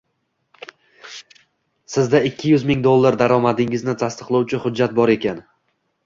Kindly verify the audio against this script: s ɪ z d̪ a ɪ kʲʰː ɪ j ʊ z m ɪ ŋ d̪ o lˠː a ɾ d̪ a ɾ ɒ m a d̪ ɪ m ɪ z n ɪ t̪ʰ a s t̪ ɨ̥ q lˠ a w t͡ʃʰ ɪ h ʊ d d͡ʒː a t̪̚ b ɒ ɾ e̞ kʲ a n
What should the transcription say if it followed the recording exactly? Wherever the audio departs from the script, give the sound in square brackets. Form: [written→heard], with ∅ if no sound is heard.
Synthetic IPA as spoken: s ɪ z d̪ a ɪ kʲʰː ɪ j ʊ z m ɪ ŋ d̪ o lˠː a ɾ d̪ a ɾ ɒ m a d̪ ɪ [m→ŋ] ɪ z n ɪ t̪ʰ a s t̪ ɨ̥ q lˠ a w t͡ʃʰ ɪ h ʊ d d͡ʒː a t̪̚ b ɒ ɾ e̞ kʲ a n